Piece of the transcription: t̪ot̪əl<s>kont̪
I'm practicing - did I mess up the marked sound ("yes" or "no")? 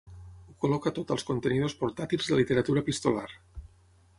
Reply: no